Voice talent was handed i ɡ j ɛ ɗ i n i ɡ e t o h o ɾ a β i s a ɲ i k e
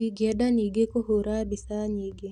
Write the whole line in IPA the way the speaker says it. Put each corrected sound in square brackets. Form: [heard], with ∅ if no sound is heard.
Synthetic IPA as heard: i ɡ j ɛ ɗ [a] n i ɡ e [k] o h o ɾ a [b] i s a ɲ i [ɡ] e